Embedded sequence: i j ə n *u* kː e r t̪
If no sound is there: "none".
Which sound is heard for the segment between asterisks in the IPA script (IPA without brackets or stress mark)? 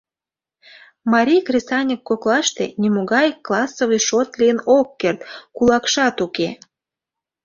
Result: o